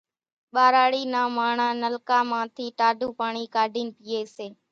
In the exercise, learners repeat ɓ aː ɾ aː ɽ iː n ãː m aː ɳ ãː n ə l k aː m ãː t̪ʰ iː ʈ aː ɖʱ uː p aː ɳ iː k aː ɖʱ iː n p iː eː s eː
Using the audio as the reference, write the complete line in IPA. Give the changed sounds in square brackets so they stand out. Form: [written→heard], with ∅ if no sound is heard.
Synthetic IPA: ɓ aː ɾ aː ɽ iː n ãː m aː ɳ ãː n ə l k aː m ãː t̪ʰ iː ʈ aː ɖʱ uː p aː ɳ iː k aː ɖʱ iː n p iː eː s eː